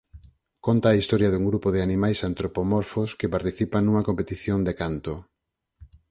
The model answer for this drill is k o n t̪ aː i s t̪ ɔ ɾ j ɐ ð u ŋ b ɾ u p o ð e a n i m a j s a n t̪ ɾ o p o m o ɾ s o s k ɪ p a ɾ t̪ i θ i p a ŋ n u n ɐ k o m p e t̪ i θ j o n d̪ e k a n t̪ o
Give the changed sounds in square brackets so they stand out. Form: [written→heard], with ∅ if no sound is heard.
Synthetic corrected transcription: k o n t̪ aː i s t̪ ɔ ɾ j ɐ ð u ŋ [b→ɡ] ɾ u p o ð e a n i m a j s a n t̪ ɾ o p o m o ɾ [s→f] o s k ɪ p a ɾ t̪ i θ i p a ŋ n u [n→ŋ] ɐ k o m p e t̪ i θ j o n d̪ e k a n t̪ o